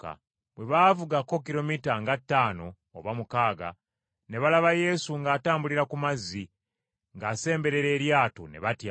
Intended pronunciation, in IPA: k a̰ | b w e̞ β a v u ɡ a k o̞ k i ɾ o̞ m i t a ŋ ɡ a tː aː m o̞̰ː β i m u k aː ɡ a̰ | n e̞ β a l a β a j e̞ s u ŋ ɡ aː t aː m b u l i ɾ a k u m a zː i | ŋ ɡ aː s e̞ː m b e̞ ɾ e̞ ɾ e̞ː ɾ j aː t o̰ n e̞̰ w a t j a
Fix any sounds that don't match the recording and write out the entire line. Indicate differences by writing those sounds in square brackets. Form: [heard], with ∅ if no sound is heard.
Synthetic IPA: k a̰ | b w e̞ β a v u ɡ a k o̞ k i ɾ o̞ m i t a ŋ ɡ a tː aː [n] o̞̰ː β [a] m u k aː ɡ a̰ | n e̞ β a l a β a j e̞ s u ŋ ɡ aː t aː m b u l i ɾ a k u m a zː i | ŋ ɡ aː s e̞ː m b e̞ ɾ e̞ ɾ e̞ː ɾ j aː t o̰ n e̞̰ [β] a t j a